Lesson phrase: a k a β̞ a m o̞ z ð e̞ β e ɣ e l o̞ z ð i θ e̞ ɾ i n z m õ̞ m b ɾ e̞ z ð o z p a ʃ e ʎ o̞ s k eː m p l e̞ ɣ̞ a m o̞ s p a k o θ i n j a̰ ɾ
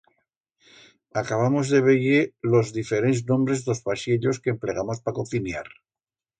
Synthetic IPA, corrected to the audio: a k a β̞ a m o̞ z ð e̞ β e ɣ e l o̞ z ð i f e̞ ɾ e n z n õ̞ m b ɾ e̞ z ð o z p a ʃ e ʎ o̞ s k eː m p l e̞ ɣ̞ a m o̞ s p a k o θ i n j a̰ ɾ